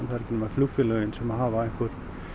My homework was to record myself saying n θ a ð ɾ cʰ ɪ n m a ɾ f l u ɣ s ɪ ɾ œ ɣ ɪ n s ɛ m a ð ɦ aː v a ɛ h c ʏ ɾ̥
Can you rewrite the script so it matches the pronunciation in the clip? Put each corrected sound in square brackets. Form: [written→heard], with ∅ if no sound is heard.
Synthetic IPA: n θ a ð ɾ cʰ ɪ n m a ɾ f l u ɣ [s→f] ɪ [ɾ→l] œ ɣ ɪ n s ɛ m a ð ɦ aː v a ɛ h [c→k] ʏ ɾ̥